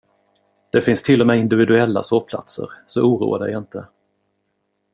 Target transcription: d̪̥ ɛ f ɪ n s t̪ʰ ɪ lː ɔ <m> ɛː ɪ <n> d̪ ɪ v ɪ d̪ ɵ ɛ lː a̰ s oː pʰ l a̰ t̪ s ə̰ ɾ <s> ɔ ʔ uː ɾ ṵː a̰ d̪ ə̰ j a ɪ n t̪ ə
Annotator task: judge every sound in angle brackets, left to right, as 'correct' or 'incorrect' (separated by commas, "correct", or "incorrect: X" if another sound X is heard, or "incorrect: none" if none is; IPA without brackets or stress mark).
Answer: correct, correct, correct